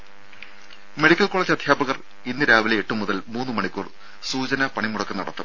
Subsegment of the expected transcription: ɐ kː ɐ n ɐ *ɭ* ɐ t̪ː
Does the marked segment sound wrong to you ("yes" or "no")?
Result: yes